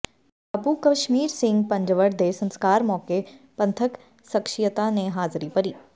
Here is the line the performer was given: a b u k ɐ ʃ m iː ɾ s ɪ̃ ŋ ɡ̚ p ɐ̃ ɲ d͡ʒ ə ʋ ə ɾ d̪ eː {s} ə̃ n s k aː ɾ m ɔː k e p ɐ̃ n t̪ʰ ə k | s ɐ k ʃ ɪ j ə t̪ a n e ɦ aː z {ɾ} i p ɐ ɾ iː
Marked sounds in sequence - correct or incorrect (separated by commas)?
correct, correct